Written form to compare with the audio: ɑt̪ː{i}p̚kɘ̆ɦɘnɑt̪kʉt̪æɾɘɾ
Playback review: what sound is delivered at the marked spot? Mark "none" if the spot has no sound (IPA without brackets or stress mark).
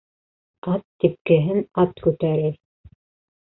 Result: i